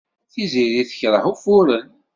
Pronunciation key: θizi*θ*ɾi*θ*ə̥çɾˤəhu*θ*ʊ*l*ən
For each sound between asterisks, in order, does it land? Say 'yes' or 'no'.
no, yes, no, no

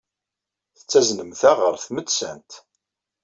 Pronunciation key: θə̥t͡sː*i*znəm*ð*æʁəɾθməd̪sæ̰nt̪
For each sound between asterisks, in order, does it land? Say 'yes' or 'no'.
no, no

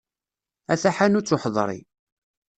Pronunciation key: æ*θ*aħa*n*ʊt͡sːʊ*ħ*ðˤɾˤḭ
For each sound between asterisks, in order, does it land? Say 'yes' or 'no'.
yes, yes, yes

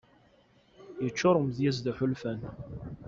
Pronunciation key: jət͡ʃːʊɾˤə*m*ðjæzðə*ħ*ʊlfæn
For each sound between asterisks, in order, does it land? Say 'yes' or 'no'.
yes, yes

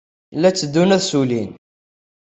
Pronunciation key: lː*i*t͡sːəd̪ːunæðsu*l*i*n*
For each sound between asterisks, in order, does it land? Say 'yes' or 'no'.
no, yes, yes

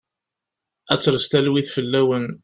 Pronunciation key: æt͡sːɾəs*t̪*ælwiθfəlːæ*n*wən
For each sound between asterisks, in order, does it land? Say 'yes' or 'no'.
yes, no

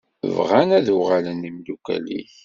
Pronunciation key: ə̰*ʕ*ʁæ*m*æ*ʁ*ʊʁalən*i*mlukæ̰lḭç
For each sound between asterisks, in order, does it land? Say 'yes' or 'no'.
no, no, no, yes

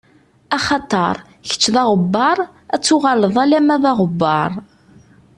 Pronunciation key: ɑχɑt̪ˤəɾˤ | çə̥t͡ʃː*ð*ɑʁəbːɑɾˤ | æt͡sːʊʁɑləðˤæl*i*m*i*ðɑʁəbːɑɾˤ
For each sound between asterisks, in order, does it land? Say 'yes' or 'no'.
yes, no, no

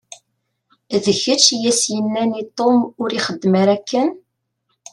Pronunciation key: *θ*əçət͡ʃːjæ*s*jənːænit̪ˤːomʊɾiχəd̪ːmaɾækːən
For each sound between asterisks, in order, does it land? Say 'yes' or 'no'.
no, yes

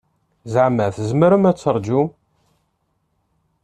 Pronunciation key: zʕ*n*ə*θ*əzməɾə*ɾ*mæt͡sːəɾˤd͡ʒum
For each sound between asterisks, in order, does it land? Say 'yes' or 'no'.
no, yes, no

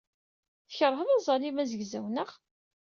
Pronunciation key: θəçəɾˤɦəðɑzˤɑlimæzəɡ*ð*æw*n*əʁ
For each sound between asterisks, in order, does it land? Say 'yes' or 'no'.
no, yes

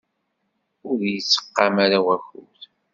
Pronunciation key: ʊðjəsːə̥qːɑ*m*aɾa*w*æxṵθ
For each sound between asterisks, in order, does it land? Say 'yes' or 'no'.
yes, yes

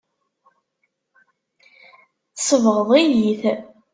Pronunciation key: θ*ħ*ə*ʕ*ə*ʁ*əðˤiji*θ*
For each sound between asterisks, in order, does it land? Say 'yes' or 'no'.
no, no, yes, yes

